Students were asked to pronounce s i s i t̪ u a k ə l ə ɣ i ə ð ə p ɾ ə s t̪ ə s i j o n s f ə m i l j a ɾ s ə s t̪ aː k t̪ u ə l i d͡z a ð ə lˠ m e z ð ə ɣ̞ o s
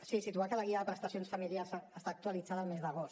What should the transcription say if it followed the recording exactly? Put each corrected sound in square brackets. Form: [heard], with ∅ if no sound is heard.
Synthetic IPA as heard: s i s i t̪ u a k ə l ə ɣ i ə ð ə p ɾ ə s t̪ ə s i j o n s f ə m i l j a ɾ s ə s t̪ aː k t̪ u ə l i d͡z a ð ə lˠ m e z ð ə ɣ̞ o s